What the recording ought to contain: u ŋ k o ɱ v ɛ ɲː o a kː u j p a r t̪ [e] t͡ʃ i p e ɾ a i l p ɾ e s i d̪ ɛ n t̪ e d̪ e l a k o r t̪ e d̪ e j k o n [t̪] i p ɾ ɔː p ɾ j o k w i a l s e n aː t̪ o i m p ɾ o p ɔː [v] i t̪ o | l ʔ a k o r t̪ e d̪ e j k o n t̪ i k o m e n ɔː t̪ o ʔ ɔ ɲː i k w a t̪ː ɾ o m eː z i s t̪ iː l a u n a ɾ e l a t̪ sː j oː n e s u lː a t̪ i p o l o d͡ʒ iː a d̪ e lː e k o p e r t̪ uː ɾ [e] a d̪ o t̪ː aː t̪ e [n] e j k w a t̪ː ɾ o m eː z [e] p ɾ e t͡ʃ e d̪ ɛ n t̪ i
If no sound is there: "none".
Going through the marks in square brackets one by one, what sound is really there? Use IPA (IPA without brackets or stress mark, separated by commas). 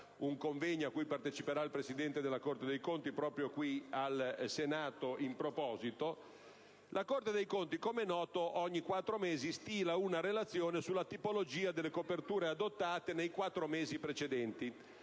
e, t̪, z, e, n, i